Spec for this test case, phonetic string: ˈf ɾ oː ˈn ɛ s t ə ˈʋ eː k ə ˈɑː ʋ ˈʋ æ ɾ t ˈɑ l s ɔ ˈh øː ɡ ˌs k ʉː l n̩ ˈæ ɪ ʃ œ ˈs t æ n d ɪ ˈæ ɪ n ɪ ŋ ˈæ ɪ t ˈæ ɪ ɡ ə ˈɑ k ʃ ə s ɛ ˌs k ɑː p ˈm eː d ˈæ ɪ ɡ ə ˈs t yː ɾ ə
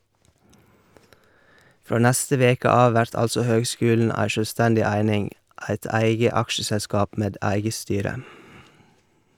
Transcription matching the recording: ˈf ɾ oː ˈn æ s t ə ˈʋ eː k ə ˈɑː ʋ ˈʋ æ ɾ t ˈɑ l s ɔ ˈh øː ɡ ˌs k ʉː l n̩ ˈæ ɪ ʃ œ ˈs t æ n d ɪ ˈæ ɪ n ɪ ŋ ˈæ ɪ t ˈæ ɪ ɡ ə ˈɑ k ʃ ə s ɛ ˌs k ɑː p ˈm eː d ˈæ ɪ ɡ ə ˈs t yː ɾ ə